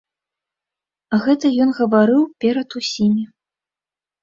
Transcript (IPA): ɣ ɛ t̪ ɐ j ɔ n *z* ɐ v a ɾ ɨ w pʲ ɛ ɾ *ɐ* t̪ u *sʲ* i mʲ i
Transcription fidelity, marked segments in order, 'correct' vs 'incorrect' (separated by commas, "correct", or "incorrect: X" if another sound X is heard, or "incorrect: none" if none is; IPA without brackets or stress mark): incorrect: ɣ, correct, correct